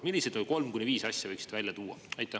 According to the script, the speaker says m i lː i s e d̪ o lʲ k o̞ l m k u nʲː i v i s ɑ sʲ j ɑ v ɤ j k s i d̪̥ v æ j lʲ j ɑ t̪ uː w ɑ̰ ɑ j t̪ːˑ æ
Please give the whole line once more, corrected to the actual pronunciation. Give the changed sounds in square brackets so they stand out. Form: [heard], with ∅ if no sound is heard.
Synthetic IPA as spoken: m i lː i s e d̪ o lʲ k o̞ l m k u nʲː i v [iː] s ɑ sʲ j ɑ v ɤ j k s i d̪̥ v æ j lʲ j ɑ t̪ uː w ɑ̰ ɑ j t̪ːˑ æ